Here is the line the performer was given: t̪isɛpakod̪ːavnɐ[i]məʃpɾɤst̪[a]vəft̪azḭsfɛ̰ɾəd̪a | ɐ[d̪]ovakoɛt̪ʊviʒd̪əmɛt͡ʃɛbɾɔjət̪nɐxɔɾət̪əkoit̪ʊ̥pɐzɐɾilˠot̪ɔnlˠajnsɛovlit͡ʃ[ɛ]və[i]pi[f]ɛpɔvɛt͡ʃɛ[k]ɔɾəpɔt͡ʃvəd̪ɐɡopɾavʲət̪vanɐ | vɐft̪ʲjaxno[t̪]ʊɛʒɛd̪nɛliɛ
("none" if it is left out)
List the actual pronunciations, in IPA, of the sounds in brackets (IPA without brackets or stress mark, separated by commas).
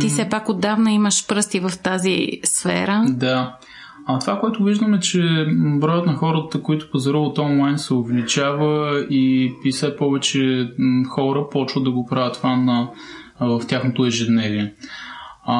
i, i, t̪, a, i, s, x, t̪